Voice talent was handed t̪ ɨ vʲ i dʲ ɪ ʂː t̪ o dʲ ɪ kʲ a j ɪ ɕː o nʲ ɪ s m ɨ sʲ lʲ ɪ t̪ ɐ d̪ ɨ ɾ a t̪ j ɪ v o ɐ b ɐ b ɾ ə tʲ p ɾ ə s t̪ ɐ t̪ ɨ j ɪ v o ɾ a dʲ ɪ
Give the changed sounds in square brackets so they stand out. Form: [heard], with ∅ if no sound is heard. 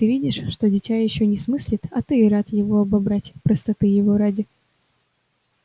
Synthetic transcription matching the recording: t̪ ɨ vʲ i dʲ ɪ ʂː t̪ o dʲ ɪ [tʲ] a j ɪ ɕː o nʲ ɪ s m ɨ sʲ lʲ ɪ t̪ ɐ [t̪] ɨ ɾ a t̪ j ɪ v o ɐ b ɐ b ɾ [a] tʲ p ɾ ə s t̪ ɐ t̪ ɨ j ɪ v o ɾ a dʲ ɪ